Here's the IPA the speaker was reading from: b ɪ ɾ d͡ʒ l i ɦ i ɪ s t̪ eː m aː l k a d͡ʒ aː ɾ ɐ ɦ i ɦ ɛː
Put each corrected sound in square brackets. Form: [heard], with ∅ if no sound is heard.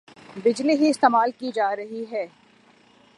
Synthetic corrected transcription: b ɪ [∅] d͡ʒ l i ɦ i ɪ s t̪ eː m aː l k [i] d͡ʒ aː ɾ ɐ ɦ i ɦ ɛː